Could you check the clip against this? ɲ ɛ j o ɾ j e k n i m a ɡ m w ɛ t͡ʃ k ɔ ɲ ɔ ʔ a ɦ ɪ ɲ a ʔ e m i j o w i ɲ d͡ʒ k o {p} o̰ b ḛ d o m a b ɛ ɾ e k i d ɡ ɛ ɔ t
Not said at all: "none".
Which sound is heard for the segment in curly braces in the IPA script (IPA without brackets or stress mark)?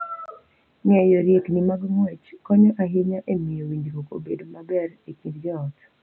k